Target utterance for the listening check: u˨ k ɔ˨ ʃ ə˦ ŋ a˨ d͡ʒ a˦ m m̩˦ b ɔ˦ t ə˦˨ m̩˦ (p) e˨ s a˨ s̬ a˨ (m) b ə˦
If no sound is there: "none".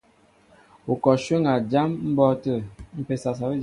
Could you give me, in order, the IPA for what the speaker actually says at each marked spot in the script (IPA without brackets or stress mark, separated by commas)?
p, none